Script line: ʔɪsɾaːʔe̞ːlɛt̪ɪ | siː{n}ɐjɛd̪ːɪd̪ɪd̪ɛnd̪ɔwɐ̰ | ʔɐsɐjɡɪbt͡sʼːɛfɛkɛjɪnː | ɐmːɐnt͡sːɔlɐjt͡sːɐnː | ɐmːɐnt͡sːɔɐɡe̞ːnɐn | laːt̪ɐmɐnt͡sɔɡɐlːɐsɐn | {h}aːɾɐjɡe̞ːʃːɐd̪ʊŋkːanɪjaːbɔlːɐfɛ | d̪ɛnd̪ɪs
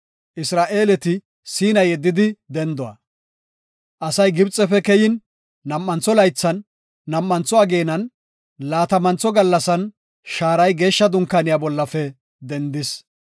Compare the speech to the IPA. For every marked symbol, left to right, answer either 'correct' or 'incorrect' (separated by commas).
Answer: correct, incorrect